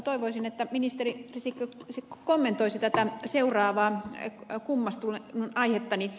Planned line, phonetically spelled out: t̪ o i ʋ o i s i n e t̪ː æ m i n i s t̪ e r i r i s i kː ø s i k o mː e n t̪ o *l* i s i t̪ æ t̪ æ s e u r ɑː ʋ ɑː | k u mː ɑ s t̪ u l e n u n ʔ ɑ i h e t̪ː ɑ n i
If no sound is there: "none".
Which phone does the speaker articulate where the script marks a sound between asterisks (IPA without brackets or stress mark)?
none